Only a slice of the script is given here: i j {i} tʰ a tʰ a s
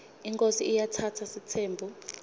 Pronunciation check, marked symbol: incorrect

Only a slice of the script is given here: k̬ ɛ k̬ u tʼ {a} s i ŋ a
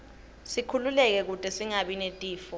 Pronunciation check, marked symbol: incorrect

